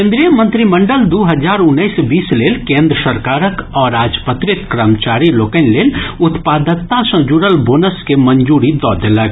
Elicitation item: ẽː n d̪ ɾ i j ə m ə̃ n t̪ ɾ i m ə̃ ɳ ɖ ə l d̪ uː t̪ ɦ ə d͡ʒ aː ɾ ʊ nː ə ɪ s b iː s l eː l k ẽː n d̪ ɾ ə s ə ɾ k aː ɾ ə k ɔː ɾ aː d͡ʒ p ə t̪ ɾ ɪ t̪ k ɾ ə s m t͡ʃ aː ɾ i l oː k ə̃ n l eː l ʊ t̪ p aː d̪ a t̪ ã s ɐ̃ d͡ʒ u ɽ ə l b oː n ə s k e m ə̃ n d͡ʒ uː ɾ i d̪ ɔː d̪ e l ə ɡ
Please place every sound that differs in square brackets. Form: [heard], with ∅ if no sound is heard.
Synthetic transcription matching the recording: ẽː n d̪ ɾ i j ə m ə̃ n t̪ ɾ i m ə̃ ɳ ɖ ə l d̪ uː [∅] ɦ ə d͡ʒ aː ɾ ʊ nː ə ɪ s b iː s l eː l k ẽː n d̪ ɾ ə s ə ɾ k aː ɾ ə k ɔː ɾ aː d͡ʒ p ə t̪ ɾ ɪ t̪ k ɾ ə [∅] m t͡ʃ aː ɾ i l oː k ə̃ n l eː l ʊ t̪ p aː d̪ [ə] t̪ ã s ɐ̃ d͡ʒ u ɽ ə l b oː n ə s k e m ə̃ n d͡ʒ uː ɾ i d̪ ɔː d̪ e l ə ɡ